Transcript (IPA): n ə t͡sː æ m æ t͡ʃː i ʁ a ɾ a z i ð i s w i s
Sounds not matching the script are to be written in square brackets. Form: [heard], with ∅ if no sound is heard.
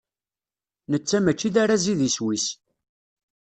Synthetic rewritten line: n ə t͡sː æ m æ t͡ʃː i [ð] a ɾ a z i ð i s w i s